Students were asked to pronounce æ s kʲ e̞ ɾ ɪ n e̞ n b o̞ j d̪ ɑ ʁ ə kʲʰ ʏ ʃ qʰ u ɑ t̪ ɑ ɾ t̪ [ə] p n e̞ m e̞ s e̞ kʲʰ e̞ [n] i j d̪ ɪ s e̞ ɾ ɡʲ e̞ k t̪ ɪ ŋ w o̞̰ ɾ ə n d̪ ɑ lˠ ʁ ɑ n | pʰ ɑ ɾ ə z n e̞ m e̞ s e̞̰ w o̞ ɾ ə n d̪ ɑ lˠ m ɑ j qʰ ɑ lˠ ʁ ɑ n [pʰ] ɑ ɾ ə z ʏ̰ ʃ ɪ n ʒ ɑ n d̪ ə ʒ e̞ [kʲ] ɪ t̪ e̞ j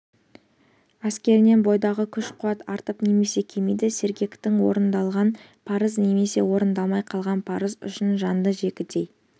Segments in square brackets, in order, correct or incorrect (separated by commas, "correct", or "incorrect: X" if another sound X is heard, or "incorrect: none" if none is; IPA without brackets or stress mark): correct, incorrect: m, correct, correct